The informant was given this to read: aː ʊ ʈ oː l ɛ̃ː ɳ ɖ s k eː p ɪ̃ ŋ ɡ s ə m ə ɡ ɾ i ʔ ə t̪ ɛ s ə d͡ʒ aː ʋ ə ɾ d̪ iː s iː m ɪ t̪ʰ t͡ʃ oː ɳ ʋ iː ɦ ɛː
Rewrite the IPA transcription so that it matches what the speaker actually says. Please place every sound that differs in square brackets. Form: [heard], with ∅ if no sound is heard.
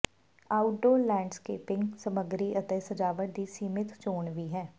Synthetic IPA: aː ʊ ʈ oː l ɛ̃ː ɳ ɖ s k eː p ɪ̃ ŋ ɡ s ə m ə ɡ ɾ i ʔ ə t̪ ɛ s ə d͡ʒ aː ʋ ə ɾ d̪ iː s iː m ɪ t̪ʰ t͡ʃ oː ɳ ʋ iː ɦ ɛː